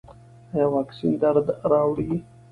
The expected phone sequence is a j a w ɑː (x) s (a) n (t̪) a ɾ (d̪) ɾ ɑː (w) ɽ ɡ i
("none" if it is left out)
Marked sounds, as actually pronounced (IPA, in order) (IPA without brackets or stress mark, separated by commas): k, i, d̪, d̪, w